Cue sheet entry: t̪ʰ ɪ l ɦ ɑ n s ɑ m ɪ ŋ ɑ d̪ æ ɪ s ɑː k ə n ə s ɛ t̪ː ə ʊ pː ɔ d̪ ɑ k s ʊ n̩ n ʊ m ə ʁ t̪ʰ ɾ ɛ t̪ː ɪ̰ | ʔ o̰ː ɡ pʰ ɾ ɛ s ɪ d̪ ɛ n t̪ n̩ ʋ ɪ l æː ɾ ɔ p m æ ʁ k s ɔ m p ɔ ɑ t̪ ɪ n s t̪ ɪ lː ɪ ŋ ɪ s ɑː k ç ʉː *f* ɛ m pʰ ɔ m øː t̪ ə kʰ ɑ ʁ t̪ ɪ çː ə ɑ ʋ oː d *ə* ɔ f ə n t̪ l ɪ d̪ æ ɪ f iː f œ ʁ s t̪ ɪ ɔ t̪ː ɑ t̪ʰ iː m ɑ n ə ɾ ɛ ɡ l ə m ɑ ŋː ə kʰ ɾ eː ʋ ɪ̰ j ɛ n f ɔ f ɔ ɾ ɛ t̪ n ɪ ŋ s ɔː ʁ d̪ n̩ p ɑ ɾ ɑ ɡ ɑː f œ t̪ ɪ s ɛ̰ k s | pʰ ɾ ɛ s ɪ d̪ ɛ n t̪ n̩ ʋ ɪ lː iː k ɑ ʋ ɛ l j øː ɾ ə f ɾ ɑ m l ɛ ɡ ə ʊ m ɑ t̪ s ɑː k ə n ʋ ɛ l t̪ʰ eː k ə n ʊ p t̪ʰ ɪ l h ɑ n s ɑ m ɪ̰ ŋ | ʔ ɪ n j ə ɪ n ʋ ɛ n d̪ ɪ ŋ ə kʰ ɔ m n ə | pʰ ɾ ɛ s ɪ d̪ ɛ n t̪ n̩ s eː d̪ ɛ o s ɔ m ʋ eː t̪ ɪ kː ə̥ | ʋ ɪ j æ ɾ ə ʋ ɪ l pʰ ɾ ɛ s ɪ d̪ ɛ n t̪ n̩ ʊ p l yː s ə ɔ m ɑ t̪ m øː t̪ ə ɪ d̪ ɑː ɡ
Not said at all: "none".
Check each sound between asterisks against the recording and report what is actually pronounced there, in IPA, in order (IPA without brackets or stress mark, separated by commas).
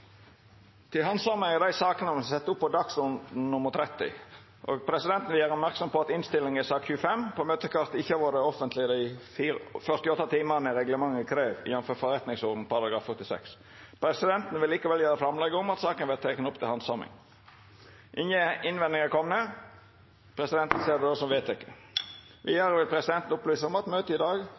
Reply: f, ə